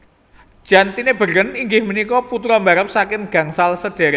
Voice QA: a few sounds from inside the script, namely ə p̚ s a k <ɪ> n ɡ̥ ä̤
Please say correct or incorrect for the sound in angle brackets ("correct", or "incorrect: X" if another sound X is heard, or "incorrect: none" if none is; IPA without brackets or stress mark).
correct